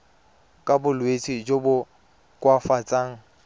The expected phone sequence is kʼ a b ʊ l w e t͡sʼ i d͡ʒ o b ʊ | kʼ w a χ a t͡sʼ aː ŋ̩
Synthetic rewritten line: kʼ a b ʊ l w e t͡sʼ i d͡ʒ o b ʊ | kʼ w a f a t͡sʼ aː ŋ̩